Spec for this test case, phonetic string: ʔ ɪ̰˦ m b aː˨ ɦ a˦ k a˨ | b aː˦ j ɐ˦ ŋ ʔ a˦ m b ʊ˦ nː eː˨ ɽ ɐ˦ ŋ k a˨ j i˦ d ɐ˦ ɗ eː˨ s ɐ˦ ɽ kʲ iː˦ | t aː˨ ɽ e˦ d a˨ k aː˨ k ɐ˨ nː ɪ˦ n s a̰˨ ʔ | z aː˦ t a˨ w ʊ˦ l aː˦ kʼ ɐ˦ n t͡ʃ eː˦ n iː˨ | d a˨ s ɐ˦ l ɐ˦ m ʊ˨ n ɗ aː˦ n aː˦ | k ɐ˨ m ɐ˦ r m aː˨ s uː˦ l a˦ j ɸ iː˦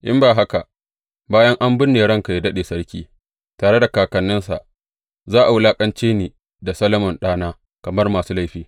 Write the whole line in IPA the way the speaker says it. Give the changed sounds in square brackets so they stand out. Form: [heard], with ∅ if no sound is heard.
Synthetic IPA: ʔ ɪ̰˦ m b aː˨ ɦ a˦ k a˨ | b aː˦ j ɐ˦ ŋ ʔ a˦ m b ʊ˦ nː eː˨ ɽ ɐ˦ ŋ k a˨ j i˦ d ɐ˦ ɗ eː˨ s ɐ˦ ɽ kʲ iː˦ | t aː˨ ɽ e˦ d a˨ k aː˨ k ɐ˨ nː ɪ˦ n s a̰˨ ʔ | z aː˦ [ʔ] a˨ w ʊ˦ l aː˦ kʼ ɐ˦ n t͡ʃ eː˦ n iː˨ | d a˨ s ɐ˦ l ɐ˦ m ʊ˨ n ɗ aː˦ n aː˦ | k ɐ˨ m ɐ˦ r m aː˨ s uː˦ l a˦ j ɸ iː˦

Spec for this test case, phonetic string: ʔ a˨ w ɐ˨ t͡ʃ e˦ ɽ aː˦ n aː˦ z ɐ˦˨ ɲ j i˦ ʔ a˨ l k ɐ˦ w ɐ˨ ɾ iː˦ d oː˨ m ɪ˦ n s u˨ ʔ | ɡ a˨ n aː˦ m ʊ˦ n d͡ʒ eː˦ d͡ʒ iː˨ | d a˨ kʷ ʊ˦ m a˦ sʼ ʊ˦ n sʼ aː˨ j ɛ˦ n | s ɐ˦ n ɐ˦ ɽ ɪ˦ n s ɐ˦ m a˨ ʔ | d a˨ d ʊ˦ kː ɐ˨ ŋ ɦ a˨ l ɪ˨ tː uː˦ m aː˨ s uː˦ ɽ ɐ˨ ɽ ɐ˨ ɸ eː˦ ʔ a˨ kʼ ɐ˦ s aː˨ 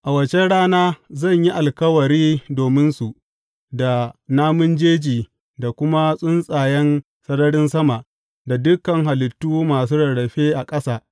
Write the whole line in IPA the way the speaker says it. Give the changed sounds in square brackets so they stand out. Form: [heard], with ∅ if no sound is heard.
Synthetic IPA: ʔ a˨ w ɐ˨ t͡ʃ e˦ ɽ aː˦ n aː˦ z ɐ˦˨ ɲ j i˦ ʔ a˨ l k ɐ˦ w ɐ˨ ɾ iː˦ d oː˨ m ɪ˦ n s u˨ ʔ | [d] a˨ n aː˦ m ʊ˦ n d͡ʒ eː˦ d͡ʒ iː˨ | d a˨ kʷ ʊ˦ m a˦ sʼ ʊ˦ n sʼ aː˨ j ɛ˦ n | s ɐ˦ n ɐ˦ ɽ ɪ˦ n s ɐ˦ m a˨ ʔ | d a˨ d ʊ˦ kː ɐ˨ ŋ ɦ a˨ l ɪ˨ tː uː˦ m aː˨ s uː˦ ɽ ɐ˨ ɽ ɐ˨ ɸ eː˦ ʔ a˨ kʼ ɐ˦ s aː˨

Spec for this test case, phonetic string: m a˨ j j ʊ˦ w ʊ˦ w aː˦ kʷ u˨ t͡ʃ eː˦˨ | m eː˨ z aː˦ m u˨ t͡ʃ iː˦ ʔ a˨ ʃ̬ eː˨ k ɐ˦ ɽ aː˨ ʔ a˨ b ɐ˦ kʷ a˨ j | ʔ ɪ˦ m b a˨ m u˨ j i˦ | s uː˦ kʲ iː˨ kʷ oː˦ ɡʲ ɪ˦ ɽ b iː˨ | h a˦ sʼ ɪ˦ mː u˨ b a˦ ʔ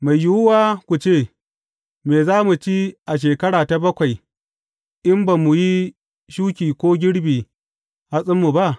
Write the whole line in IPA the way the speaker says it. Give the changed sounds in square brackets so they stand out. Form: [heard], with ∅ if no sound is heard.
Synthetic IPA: m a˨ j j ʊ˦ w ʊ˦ w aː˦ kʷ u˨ t͡ʃ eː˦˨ | m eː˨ z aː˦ m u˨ t͡ʃ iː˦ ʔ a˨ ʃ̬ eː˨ k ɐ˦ ɽ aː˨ [t] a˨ b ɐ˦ kʷ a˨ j | ʔ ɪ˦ m b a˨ m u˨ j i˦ | [ʃ] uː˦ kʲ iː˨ kʷ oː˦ ɡʲ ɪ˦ ɽ b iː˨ | h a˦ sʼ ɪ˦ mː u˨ b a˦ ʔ

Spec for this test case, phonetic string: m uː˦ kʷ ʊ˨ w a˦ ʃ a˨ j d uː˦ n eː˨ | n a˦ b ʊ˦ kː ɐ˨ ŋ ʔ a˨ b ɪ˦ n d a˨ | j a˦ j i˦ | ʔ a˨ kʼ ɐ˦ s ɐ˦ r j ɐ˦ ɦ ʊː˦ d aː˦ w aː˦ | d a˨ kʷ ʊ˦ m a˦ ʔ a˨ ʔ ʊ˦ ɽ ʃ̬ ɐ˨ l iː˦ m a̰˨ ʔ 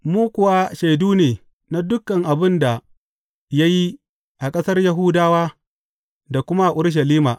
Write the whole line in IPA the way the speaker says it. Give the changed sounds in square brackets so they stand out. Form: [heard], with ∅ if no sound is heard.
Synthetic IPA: m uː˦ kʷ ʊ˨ w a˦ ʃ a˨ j d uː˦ n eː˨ | n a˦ [d] ʊ˦ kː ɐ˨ ŋ ʔ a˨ b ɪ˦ n d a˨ | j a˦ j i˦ | ʔ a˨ kʼ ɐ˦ s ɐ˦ r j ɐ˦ ɦ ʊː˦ d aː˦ w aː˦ | d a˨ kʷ ʊ˦ m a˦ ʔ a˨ ʔ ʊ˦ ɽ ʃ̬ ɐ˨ l iː˦ m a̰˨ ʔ

